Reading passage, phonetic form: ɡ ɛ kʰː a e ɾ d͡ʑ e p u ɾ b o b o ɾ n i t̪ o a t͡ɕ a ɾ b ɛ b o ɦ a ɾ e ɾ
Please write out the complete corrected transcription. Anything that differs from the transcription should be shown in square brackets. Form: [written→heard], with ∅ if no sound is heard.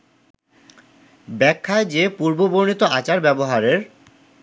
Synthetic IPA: [ɡ→b] ɛ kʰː a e [ɾ→∅] d͡ʑ e p u ɾ b o b o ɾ n i t̪ o a t͡ɕ a ɾ b ɛ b o ɦ a ɾ e ɾ